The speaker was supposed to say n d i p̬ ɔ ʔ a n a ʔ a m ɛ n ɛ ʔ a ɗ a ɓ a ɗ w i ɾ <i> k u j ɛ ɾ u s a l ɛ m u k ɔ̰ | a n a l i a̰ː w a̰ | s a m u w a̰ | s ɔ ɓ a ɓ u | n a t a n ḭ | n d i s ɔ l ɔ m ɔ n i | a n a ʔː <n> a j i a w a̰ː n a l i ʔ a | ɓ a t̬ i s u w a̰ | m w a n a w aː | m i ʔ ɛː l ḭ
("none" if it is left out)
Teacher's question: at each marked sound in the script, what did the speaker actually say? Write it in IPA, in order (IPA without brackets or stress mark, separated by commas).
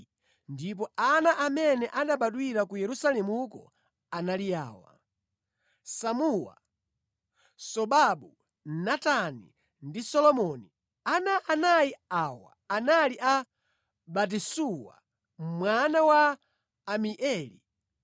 a, n